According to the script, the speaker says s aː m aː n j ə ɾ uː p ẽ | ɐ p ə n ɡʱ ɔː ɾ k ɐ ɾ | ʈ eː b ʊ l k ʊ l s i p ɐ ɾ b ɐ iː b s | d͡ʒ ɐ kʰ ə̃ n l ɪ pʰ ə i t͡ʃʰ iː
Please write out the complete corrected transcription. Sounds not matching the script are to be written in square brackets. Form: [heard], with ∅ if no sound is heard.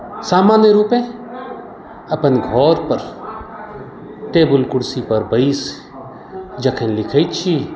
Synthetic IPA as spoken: s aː m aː n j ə ɾ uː p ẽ | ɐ p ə n ɡʱ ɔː ɾ [p] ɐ ɾ | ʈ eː b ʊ l k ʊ [ɽ] s i p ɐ ɾ b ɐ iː [∅] s | d͡ʒ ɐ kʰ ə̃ n l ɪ [kʰ] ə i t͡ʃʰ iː

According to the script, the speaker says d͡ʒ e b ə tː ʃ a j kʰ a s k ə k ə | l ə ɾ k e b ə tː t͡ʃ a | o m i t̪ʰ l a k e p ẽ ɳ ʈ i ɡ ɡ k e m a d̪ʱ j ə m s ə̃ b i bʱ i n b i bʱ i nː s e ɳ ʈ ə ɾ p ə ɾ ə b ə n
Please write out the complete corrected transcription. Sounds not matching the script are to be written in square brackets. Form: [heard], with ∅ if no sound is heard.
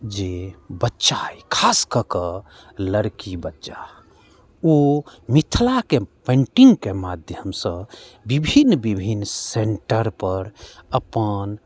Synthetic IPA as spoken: d͡ʒ e b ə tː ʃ a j kʰ a s k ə k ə | l ə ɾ k [i] b ə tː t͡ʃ a | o m i t̪ʰ l a k e p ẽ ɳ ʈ i [ŋ] ɡ k e m a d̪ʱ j ə m s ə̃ b i bʱ i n b i bʱ i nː s e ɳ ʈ ə ɾ p ə ɾ ə [p] ə n

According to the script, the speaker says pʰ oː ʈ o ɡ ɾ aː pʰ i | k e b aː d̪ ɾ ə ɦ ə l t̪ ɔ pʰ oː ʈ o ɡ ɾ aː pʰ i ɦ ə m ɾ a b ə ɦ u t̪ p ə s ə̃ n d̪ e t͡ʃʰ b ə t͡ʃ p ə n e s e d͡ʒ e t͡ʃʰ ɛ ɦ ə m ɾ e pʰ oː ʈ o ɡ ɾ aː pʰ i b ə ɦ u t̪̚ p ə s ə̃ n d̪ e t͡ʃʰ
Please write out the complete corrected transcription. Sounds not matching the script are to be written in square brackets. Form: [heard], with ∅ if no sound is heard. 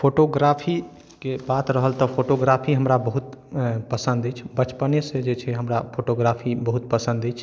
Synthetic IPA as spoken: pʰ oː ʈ o ɡ ɾ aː pʰ i | k e b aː [t̪] ɾ ə ɦ ə l t̪ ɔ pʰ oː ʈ o ɡ ɾ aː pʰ i ɦ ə m ɾ a b ə ɦ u t̪ p ə s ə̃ n d̪ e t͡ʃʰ b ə t͡ʃ p ə n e s e d͡ʒ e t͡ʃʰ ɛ ɦ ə m ɾ [a] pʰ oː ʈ o ɡ ɾ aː pʰ i b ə ɦ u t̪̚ p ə s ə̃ n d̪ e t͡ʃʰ

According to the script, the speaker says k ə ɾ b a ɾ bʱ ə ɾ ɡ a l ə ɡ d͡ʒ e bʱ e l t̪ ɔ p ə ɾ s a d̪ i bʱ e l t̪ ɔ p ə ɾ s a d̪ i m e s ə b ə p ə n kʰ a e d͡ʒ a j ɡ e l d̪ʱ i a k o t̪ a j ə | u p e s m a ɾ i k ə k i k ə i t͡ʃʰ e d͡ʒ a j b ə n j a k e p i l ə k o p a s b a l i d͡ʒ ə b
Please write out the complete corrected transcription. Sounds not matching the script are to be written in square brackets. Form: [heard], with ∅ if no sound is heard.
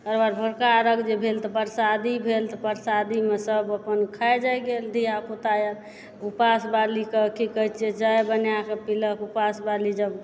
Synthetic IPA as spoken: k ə ɾ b a ɾ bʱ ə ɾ [k] a [ɾ] ə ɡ d͡ʒ e bʱ e l t̪ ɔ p ə ɾ s a d̪ i bʱ e l t̪ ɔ p ə ɾ s a d̪ i m e s ə b ə p ə n kʰ a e d͡ʒ a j ɡ e l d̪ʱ i a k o t̪ a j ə | u p [a] s [b] a [l] i k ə k i k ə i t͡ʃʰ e d͡ʒ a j b ə n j a k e p i l ə k [u] p a s b a l i d͡ʒ ə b

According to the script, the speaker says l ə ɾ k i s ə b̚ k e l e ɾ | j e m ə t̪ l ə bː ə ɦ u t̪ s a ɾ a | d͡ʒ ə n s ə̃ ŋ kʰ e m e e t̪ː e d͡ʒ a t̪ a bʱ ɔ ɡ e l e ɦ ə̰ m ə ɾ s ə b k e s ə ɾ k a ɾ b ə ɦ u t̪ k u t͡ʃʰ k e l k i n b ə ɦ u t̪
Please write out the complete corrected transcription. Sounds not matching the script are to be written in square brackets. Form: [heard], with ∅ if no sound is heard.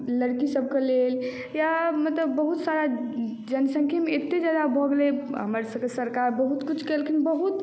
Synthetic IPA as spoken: l ə ɾ k i s ə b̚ k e l e [l] | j [a] m ə t̪ l ə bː ə ɦ u t̪ s a ɾ a | d͡ʒ ə n s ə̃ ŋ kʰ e m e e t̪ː e d͡ʒ a [d̪] a bʱ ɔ ɡ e l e ɦ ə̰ m ə ɾ s ə b k e s ə ɾ k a ɾ b ə ɦ u t̪ k u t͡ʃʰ k e l k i n b ə ɦ u t̪

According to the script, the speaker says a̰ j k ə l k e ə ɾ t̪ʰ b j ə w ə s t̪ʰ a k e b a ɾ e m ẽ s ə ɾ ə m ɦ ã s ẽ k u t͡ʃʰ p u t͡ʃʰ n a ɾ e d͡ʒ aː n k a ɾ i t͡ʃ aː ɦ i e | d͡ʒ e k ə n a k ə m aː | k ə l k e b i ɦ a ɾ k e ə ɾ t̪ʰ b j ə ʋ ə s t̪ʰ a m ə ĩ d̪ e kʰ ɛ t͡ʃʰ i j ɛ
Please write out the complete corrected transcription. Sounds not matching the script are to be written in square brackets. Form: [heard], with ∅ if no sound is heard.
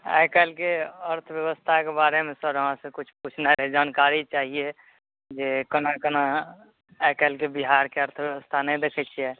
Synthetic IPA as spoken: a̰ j k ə l k e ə ɾ t̪ʰ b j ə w ə s t̪ʰ a k e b a ɾ e m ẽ s ə ɾ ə [∅] ɦ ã s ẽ k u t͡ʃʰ p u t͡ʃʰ n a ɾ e d͡ʒ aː n k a ɾ i t͡ʃ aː ɦ i e | d͡ʒ e k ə n a k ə [n] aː | k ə l k e b i ɦ a ɾ k e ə ɾ t̪ʰ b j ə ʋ ə s t̪ʰ a [n] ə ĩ d̪ e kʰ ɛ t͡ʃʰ i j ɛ

